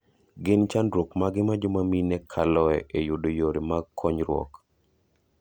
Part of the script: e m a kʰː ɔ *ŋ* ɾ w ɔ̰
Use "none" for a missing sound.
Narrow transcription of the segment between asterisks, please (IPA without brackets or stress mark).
ɲ